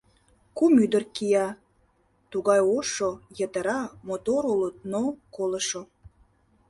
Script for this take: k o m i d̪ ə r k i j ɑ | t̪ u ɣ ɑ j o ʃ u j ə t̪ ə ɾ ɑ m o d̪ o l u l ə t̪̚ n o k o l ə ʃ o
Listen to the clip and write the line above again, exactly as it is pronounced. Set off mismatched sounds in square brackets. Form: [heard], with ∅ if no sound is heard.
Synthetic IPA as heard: k [u] m [y] d̪ ə r k i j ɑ | t̪ u ɣ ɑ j o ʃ [o] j ə t̪ ə ɾ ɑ m o [t̪] o [ɾ] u l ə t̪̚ n o k o l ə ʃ o